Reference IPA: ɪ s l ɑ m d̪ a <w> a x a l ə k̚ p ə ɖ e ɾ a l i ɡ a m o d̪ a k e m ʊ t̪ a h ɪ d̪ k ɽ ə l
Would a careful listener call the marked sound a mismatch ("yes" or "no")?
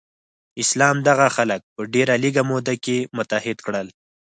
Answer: yes